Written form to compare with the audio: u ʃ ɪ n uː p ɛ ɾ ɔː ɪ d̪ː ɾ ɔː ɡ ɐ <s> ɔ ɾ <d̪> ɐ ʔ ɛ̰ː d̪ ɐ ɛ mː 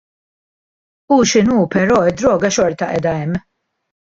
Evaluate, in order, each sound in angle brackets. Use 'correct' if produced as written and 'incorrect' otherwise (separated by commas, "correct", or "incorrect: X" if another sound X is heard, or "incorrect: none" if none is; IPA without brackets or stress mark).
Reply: incorrect: ʃ, incorrect: t̪